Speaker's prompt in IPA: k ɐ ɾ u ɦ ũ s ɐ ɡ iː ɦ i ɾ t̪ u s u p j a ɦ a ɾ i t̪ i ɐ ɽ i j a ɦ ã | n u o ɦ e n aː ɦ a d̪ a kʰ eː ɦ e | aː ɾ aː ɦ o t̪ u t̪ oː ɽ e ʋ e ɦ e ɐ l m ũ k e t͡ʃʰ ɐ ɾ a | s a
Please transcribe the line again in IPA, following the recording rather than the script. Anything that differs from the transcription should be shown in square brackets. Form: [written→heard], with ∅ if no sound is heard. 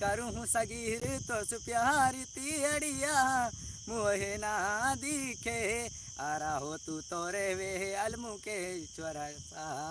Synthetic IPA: k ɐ ɾ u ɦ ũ s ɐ ɡ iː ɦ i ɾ t̪ [u→o] s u p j a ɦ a ɾ i t̪ i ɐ ɽ i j a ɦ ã | [n→m] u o ɦ e n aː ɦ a d̪ [a→i] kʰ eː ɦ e | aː ɾ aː ɦ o t̪ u t̪ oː [ɽ→ɾ] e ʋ e ɦ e ɐ l m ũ k e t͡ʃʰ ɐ ɾ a | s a